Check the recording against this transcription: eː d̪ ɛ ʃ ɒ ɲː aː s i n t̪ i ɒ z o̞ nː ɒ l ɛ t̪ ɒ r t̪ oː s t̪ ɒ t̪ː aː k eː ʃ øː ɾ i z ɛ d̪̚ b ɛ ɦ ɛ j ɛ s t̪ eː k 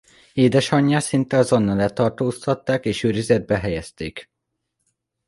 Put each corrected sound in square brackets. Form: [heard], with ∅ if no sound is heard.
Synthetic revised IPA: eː d̪ ɛ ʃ ɒ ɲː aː s i n t̪ [ɛ] ɒ z o̞ nː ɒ l ɛ t̪ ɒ r t̪ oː s t̪ ɒ t̪ː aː k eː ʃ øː ɾ i z ɛ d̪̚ b ɛ ɦ ɛ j ɛ s t̪ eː k